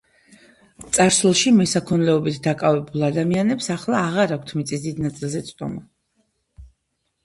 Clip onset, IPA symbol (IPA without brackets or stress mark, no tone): t̪